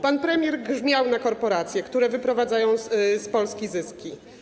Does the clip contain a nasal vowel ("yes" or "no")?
yes